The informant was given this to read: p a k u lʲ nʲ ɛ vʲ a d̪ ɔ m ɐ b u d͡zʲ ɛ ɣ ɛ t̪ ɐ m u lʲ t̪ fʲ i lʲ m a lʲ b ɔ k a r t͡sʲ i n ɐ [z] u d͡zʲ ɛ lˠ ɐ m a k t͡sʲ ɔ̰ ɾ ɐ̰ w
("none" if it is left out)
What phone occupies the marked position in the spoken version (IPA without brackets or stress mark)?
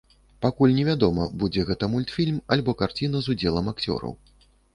z